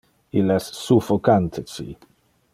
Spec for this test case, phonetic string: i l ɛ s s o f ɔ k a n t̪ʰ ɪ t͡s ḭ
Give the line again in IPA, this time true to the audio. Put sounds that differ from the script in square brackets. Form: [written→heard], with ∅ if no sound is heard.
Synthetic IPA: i l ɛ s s [o→u] f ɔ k a n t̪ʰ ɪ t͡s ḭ